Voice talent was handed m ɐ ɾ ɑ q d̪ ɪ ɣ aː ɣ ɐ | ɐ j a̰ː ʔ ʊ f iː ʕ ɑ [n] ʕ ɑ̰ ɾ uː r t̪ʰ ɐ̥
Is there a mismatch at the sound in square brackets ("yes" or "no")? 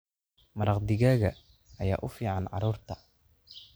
no